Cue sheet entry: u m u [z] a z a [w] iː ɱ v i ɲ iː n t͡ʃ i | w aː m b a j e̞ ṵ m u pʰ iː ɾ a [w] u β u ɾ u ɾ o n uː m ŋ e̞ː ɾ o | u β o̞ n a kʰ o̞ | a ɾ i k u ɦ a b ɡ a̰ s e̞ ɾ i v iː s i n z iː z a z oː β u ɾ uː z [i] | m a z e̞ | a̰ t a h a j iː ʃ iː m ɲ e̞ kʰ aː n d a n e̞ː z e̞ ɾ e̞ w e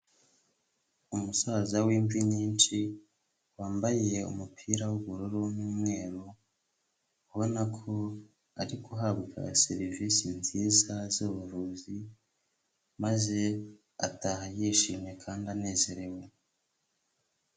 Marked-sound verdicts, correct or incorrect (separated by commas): incorrect, correct, correct, correct